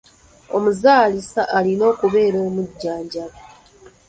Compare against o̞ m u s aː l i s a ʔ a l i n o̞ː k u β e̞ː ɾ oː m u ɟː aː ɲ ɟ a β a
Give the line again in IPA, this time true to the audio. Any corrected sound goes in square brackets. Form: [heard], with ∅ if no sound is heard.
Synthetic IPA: o̞ m u [z] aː l i s a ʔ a l i n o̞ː k u β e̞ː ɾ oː m u ɟː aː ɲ ɟ a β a